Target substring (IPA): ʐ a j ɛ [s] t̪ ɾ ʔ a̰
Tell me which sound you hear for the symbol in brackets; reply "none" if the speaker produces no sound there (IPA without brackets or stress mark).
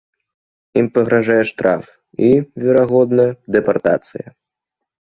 ʂ